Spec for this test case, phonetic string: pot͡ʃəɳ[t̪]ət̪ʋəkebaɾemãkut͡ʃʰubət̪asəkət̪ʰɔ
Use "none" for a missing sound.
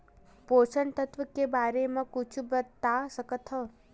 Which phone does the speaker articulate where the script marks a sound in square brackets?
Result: t̪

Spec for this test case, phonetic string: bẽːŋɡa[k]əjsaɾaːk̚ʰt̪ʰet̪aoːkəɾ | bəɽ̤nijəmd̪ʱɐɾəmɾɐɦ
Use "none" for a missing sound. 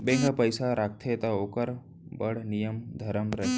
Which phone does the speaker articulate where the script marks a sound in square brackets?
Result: p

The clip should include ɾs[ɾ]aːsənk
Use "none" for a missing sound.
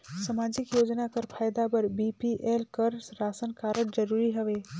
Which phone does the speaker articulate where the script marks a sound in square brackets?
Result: ɾ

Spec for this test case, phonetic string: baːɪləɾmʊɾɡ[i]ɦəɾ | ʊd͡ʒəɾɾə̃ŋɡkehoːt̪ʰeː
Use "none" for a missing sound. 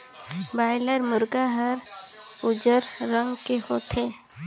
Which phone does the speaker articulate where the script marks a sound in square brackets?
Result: a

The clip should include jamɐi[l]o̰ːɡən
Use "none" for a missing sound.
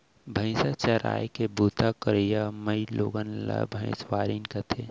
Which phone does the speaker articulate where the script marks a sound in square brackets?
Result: l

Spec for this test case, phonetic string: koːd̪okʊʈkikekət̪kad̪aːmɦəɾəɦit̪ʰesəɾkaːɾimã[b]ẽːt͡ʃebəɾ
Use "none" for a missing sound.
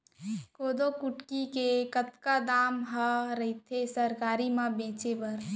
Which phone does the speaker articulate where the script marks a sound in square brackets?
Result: b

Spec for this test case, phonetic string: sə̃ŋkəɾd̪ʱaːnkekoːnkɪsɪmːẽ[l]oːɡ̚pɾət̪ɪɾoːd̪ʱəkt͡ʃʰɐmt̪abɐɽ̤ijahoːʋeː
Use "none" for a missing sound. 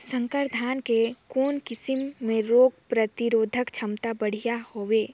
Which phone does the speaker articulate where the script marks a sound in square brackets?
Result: ɾ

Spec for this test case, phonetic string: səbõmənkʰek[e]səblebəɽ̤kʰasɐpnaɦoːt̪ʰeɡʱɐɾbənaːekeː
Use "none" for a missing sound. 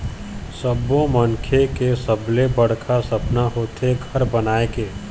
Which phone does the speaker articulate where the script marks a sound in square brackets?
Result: e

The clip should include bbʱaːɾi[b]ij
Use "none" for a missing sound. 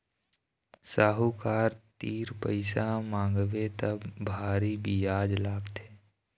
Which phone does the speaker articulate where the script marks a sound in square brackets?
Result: b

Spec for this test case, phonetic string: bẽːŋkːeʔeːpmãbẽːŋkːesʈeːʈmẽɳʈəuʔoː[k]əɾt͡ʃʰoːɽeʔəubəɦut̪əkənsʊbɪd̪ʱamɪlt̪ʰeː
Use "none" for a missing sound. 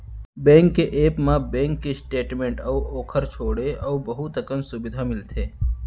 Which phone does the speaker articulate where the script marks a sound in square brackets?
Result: kʰ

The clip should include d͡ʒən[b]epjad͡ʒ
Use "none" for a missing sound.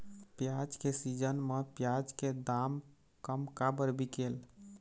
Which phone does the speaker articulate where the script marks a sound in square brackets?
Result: m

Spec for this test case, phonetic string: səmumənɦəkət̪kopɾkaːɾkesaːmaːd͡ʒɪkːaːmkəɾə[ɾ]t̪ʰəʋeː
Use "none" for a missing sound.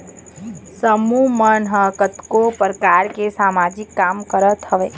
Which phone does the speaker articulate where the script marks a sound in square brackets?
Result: none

